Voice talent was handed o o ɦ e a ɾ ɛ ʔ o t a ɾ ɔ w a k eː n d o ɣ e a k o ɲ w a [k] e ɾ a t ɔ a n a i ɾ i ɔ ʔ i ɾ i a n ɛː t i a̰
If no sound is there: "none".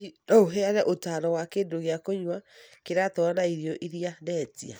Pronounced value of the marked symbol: k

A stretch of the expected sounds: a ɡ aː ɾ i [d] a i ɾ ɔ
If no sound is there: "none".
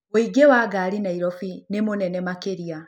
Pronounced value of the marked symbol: n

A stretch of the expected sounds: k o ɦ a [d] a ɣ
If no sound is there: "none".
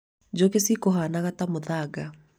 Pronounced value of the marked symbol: n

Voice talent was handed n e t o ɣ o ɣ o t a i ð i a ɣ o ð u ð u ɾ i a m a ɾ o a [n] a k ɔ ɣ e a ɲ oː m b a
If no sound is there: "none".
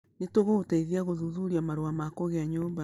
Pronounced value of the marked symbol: m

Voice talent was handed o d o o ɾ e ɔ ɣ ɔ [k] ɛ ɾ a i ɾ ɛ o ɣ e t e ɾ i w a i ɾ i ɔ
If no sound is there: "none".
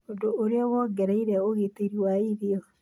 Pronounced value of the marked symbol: ɡ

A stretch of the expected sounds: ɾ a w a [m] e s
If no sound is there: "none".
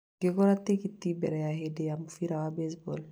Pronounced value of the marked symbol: b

